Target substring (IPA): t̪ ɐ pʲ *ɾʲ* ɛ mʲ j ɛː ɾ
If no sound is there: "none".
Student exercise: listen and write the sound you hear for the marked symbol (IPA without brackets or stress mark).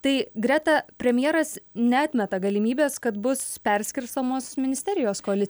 ɾʲ